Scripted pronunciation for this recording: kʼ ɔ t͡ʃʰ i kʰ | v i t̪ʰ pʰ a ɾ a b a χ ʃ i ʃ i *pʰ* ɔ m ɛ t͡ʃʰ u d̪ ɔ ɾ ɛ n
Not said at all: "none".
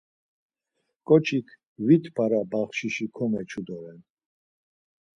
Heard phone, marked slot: kʰ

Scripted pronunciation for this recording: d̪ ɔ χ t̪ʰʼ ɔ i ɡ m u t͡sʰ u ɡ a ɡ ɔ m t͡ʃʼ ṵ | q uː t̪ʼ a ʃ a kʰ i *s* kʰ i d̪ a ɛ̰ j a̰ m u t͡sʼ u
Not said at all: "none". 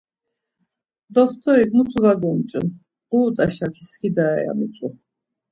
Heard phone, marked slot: s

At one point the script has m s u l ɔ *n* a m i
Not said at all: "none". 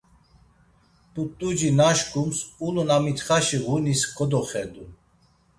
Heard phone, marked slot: n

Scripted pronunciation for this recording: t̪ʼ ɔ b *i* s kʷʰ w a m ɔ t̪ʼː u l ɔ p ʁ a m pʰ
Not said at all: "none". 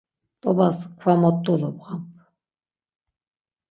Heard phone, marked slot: a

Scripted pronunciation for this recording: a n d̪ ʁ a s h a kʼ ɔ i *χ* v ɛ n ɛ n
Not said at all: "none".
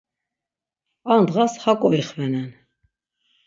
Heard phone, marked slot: χ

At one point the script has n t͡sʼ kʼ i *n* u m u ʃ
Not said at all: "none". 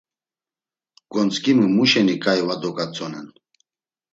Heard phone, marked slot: m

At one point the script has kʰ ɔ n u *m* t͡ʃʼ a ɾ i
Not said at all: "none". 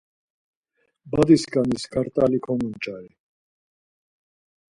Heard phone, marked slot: n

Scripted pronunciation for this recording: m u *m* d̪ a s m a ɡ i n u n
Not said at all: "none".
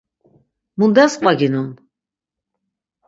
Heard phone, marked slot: n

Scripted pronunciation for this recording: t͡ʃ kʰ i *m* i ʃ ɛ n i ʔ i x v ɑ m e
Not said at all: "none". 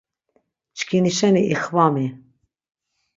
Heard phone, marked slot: n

